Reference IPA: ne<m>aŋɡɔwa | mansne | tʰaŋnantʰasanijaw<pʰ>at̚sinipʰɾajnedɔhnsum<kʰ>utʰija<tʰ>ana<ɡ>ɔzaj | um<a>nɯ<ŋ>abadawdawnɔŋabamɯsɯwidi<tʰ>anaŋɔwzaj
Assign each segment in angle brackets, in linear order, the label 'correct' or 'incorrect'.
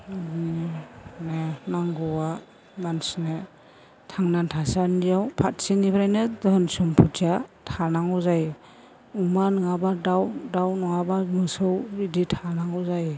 incorrect, correct, incorrect, correct, incorrect, correct, correct, correct

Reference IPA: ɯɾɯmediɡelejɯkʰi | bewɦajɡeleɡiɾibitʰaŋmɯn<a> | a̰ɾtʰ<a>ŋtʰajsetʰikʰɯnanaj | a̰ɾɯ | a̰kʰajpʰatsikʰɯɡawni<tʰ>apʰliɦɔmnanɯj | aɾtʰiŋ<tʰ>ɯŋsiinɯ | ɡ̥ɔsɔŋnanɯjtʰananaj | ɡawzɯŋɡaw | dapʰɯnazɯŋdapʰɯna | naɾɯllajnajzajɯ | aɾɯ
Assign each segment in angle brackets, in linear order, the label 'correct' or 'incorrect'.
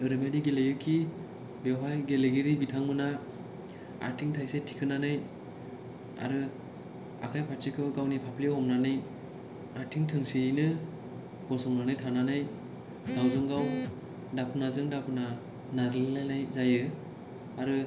correct, incorrect, incorrect, correct

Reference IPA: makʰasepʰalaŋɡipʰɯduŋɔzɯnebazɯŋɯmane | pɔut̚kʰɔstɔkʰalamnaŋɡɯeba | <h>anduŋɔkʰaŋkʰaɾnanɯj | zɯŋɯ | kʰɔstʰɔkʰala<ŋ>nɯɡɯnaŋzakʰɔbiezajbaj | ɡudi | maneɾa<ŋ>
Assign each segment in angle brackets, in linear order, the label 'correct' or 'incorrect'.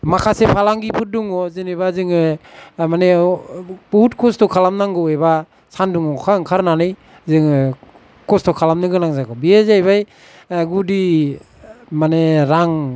incorrect, incorrect, correct

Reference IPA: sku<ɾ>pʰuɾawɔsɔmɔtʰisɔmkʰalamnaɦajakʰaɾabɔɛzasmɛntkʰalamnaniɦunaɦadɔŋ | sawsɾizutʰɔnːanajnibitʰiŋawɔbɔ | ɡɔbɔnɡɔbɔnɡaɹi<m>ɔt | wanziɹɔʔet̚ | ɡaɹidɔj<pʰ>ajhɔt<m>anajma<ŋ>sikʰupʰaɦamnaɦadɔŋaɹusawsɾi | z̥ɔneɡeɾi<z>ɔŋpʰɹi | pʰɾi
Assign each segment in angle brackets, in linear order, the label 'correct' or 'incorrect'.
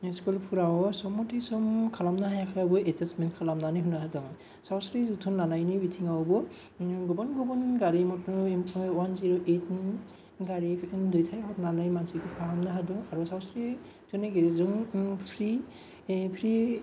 incorrect, correct, incorrect, incorrect, incorrect, correct

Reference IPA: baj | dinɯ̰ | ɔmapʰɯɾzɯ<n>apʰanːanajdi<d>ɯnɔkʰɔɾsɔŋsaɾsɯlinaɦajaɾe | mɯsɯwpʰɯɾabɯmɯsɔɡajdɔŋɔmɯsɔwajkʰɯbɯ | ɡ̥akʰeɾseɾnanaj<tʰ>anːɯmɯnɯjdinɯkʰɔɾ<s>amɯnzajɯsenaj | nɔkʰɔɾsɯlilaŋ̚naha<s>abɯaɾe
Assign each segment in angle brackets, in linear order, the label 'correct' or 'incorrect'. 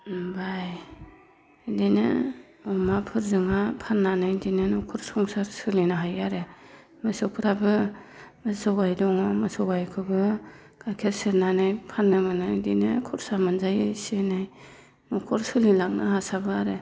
incorrect, incorrect, incorrect, correct, correct

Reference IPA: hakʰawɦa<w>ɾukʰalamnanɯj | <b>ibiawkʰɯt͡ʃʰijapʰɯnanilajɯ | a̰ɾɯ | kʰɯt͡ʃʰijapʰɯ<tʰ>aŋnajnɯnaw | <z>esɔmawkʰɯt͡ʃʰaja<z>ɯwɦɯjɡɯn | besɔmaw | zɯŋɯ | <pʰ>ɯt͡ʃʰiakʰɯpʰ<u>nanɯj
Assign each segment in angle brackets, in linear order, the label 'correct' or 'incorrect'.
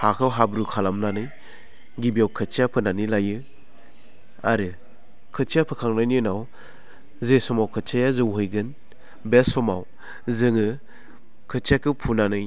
incorrect, incorrect, incorrect, correct, correct, incorrect, correct

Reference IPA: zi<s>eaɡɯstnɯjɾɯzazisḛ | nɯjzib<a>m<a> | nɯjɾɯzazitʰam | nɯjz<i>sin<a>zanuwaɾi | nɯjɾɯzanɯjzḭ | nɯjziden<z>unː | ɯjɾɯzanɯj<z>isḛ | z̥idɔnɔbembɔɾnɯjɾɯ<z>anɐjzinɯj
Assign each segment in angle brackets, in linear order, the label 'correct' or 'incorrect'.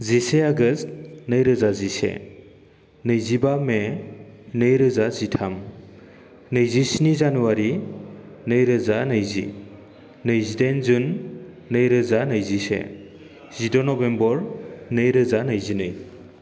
correct, correct, incorrect, correct, incorrect, correct, correct, correct

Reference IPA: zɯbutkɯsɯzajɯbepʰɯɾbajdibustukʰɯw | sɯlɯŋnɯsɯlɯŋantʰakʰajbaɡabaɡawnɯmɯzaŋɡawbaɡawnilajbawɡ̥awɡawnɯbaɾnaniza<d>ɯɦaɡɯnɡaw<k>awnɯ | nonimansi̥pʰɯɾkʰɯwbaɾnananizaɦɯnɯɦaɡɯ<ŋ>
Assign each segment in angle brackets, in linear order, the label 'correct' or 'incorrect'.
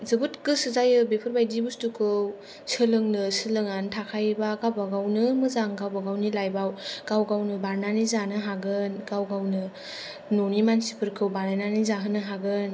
incorrect, incorrect, incorrect

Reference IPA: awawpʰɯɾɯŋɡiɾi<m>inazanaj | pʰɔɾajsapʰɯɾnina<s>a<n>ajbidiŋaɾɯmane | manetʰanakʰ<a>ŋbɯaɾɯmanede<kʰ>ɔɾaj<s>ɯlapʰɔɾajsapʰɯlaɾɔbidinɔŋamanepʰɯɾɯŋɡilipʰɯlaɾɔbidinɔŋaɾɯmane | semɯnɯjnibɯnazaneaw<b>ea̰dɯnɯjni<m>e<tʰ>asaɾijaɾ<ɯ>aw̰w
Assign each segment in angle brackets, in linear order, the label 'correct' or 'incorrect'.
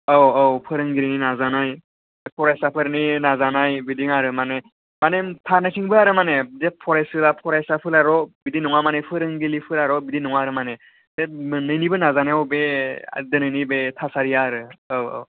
incorrect, incorrect, correct, incorrect, incorrect, correct, correct, incorrect, correct, correct

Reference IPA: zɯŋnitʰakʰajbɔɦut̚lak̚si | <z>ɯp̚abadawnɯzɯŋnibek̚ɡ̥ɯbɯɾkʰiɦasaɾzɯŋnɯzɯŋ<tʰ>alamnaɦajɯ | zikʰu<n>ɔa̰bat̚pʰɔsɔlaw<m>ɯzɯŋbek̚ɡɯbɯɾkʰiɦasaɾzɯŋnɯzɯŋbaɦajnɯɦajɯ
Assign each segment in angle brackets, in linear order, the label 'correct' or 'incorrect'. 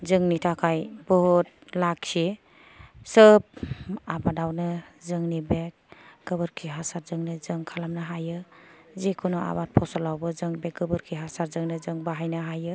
incorrect, incorrect, correct, incorrect

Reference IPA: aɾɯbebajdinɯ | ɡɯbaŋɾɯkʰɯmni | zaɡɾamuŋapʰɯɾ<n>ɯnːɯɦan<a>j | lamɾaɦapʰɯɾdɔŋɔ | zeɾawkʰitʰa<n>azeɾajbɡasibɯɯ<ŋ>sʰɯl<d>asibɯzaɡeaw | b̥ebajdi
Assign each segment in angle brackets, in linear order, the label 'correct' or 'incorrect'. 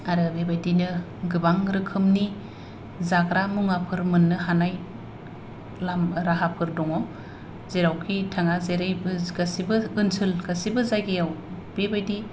incorrect, correct, incorrect, incorrect, incorrect

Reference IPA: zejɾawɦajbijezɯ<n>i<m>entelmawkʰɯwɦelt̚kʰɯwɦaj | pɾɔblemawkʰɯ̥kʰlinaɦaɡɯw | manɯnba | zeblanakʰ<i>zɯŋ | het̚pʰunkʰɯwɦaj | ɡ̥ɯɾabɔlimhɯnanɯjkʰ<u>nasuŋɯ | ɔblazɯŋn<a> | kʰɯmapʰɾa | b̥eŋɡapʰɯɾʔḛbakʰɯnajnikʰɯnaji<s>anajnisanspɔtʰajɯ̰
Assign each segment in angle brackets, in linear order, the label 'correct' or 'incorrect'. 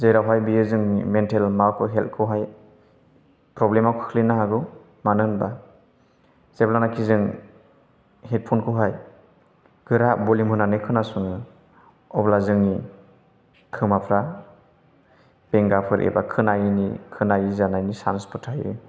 incorrect, correct, correct, incorrect, incorrect, incorrect

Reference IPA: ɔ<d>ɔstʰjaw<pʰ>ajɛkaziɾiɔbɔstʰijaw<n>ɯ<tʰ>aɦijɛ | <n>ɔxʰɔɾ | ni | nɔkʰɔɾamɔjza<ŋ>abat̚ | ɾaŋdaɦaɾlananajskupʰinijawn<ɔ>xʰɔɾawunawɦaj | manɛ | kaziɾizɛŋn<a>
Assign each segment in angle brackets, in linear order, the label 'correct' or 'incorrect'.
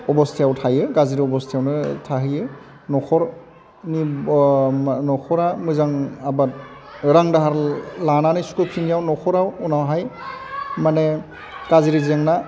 incorrect, incorrect, correct, correct, correct, correct, correct, correct

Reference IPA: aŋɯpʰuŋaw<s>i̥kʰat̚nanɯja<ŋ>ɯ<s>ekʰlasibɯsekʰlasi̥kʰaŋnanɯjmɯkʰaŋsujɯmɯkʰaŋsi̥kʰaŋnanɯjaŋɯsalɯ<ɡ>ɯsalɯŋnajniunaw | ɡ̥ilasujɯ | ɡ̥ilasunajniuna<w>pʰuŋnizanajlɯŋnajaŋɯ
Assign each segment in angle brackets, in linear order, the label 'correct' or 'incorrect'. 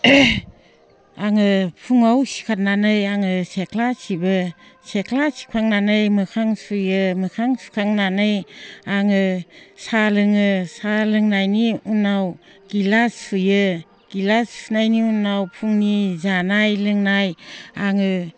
correct, correct, correct, incorrect, correct

